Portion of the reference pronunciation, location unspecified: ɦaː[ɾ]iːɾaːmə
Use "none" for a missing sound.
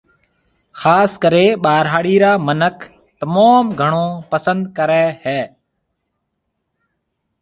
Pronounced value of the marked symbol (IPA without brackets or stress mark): ɽ